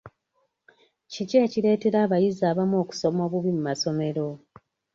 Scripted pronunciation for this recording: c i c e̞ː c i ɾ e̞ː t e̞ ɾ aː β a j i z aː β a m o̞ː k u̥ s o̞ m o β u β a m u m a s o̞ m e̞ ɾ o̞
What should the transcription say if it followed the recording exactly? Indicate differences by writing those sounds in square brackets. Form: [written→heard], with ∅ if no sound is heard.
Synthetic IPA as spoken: c i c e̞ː c i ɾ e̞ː t e̞ ɾ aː β a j i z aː β a m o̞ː k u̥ s o̞ m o β u β [a→i] m u m a s o̞ m e̞ ɾ o̞